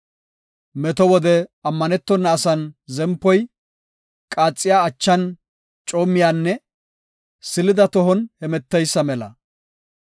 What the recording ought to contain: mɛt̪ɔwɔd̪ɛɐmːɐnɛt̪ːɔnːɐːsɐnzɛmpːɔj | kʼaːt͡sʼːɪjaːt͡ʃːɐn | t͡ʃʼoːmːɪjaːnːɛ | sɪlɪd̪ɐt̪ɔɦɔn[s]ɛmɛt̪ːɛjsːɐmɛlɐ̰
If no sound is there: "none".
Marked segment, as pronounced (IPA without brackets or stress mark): h